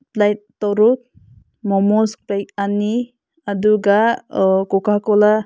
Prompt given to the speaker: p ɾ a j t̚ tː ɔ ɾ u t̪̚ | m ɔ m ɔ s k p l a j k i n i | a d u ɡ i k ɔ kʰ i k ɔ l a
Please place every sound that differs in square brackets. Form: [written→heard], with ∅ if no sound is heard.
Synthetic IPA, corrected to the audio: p [ɾ→l] a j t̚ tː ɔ ɾ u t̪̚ | m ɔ m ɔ s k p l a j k [i→a] n i | a d u ɡ [i→a] k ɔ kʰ [i→a] k ɔ l a